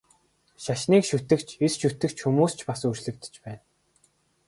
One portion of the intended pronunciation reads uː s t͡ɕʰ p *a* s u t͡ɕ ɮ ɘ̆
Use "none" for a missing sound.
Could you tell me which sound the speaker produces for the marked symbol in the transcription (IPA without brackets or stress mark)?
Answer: a